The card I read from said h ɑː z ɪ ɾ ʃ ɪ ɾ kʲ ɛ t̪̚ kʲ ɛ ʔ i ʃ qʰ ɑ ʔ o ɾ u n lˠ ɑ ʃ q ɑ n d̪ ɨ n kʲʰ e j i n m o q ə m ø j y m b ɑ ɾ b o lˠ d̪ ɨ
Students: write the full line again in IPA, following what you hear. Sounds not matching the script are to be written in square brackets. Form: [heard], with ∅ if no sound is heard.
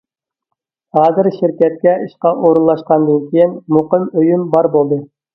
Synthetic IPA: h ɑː z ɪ ɾ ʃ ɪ ɾ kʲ ɛ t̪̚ kʲ ɛ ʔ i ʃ [q] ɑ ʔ o ɾ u n lˠ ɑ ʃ q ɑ n d̪ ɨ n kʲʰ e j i n m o q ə m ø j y m b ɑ ɾ b o lˠ d̪ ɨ